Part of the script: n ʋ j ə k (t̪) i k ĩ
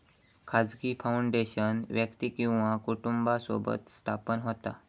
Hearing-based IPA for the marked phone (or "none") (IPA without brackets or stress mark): t̪